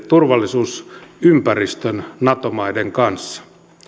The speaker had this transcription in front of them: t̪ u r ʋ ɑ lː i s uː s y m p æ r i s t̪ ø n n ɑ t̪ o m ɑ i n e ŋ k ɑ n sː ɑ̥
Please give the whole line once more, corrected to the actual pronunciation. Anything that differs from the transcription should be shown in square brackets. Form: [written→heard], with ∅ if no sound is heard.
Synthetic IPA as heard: t̪ u r ʋ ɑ lː i s uː s y m p æ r i s t̪ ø n n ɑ t̪ o m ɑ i [n→d] e ŋ k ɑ n sː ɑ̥